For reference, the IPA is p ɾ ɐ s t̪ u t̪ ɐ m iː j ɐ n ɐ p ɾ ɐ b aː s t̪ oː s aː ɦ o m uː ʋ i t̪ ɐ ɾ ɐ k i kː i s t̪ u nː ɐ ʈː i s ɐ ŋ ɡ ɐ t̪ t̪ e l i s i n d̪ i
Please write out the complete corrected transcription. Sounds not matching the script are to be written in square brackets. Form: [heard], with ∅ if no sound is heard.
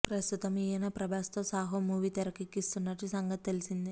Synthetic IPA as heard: p ɾ ɐ s t̪ u t̪ ɐ m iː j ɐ n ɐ p ɾ ɐ b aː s t̪ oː s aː ɦ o m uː ʋ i t̪ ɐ ɾ ɐ k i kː i s t̪ u nː ɐ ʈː i s ɐ ŋ ɡ ɐ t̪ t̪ e l i s i n d̪ i